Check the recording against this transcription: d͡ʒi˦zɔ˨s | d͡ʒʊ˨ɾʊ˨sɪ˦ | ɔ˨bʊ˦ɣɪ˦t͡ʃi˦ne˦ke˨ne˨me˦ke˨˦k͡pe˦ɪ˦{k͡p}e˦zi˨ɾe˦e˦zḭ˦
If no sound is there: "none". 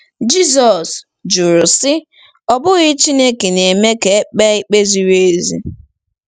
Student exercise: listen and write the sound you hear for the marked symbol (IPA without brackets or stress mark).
k͡p